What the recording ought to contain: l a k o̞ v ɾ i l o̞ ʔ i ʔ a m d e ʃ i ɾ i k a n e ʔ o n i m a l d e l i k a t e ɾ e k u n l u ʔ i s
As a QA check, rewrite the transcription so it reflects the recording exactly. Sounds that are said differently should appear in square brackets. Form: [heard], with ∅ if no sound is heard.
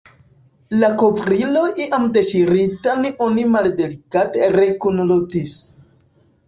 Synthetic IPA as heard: l a k o̞ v ɾ i l o̞ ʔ i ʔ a m d e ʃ i ɾ i [t] a n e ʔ o n i m a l d e l i k a t e ɾ e k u n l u [t] i s